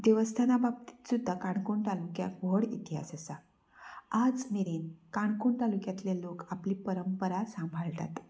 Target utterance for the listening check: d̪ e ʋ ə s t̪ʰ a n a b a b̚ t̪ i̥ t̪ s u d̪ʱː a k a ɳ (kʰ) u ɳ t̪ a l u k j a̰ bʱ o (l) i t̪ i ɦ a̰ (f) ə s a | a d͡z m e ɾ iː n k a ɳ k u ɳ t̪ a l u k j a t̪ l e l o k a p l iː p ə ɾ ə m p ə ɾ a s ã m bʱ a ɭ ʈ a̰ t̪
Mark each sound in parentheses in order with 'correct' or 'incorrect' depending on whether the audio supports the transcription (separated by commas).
incorrect, incorrect, incorrect